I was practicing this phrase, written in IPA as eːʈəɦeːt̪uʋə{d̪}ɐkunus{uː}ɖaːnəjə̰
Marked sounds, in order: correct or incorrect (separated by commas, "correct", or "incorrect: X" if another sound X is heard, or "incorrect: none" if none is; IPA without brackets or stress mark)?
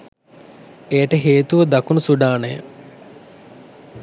correct, incorrect: u